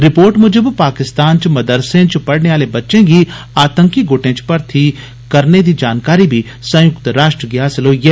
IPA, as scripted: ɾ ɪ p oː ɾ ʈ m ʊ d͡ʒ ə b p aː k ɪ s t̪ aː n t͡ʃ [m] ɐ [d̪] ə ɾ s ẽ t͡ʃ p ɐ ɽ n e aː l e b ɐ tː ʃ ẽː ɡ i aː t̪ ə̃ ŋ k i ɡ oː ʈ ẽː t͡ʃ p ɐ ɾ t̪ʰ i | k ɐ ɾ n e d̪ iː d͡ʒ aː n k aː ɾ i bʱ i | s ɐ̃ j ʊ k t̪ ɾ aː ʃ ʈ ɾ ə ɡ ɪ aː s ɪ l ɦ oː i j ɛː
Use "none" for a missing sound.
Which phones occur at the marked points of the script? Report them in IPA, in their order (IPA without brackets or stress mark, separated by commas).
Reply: m, d̪